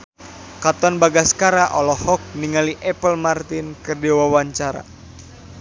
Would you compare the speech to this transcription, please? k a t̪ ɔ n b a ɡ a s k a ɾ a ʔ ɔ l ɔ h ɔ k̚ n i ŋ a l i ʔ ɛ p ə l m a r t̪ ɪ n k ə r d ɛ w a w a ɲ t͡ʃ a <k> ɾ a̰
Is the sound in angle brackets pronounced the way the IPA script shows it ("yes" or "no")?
no